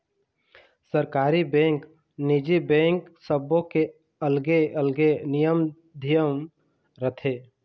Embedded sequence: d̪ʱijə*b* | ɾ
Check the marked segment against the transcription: incorrect: m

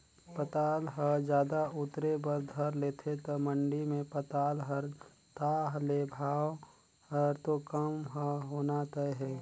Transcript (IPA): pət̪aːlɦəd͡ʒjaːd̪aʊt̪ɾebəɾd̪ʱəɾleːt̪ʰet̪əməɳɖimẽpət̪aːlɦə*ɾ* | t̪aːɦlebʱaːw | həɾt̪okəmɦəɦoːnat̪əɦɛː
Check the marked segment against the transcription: correct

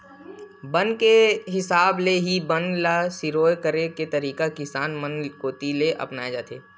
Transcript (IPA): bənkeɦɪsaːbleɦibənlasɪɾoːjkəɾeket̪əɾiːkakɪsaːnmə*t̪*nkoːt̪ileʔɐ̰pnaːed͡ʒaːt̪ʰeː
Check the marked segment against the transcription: incorrect: none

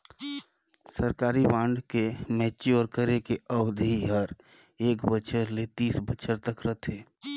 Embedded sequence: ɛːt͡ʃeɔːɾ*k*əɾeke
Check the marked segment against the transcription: correct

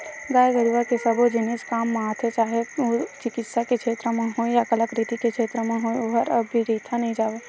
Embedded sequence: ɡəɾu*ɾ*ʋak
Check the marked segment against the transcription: incorrect: none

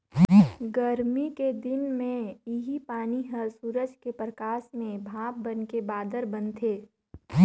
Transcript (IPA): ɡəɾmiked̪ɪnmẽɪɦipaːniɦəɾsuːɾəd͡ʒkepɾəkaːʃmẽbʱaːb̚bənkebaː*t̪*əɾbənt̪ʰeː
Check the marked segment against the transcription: incorrect: d̪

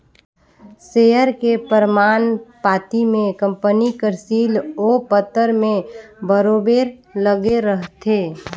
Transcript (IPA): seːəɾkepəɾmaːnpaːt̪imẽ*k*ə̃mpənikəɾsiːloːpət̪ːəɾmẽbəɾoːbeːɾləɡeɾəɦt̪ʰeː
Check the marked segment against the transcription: correct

